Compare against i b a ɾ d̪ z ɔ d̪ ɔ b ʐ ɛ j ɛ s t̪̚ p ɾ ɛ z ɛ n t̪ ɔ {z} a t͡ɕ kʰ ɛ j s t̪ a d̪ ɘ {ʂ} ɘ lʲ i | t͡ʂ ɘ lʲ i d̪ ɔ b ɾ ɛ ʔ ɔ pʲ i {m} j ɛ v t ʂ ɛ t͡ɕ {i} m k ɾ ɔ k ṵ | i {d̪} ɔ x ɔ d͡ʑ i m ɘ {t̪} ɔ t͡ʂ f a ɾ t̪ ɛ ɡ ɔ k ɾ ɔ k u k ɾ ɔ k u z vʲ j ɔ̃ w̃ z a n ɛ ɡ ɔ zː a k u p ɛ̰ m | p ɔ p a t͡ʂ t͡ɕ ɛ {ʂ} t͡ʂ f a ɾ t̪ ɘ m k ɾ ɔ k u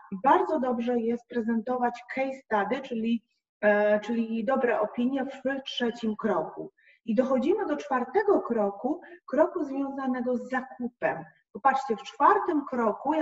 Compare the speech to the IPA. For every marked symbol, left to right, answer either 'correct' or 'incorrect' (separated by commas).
incorrect, incorrect, incorrect, correct, correct, incorrect, incorrect